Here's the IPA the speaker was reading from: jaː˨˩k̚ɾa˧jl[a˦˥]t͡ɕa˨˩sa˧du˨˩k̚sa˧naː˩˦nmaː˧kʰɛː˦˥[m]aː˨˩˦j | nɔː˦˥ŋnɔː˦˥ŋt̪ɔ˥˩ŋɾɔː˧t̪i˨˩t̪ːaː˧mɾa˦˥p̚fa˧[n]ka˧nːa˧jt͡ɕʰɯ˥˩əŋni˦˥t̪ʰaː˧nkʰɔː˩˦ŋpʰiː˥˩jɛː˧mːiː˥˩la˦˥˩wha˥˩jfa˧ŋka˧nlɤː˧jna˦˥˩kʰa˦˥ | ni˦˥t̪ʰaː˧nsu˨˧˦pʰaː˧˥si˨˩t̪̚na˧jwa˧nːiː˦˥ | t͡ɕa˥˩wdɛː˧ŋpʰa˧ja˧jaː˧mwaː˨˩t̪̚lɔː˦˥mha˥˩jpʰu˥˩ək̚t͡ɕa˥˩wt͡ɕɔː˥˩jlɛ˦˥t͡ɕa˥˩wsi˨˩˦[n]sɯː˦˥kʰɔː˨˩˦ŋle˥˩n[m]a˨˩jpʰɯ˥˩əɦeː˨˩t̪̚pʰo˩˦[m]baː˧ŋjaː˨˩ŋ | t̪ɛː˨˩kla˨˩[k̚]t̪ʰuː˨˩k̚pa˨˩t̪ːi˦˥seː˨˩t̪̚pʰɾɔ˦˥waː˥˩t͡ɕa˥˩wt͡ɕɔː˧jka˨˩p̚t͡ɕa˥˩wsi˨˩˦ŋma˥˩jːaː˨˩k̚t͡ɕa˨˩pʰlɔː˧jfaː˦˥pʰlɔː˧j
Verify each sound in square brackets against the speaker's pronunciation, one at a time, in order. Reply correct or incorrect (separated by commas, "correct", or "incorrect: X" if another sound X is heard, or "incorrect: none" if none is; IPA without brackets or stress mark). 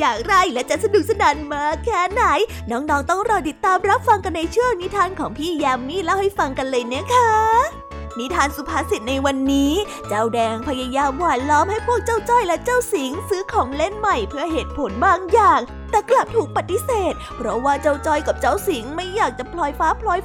incorrect: ɛ˦˥, incorrect: n, incorrect: ŋ, incorrect: ŋ, correct, incorrect: n, incorrect: p̚